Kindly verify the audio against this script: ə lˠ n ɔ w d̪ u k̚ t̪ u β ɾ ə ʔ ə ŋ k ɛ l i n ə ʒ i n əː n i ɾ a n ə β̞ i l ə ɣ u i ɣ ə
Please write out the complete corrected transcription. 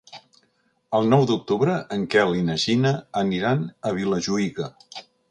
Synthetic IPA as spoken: ə lˠ n ɔ w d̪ u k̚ t̪ u β ɾ ə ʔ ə ŋ k ɛ l i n ə ʒ i n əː n i ɾ a n ə β̞ i l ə ʒ u i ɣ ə